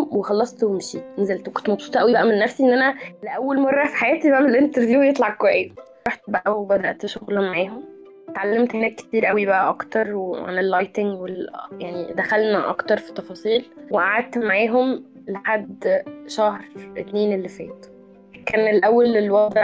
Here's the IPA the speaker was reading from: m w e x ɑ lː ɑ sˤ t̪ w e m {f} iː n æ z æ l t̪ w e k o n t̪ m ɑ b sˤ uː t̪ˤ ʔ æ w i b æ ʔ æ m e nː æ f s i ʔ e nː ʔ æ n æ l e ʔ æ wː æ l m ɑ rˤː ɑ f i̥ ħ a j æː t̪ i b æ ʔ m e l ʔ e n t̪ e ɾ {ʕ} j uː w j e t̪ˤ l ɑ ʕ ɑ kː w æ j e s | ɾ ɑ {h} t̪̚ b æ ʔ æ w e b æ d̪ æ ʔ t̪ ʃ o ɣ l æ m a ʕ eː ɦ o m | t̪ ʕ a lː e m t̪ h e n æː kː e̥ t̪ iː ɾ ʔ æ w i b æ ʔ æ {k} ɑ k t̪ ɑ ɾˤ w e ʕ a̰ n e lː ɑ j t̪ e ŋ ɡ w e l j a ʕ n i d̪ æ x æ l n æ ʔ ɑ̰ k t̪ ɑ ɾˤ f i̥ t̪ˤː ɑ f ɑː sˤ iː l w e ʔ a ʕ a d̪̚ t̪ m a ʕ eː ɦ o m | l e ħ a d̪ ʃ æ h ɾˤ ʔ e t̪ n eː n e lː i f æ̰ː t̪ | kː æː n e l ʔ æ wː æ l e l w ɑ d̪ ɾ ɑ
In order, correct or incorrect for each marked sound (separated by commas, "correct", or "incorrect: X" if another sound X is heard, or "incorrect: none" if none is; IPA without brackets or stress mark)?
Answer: incorrect: ʃ, incorrect: v, incorrect: ħ, incorrect: ʔ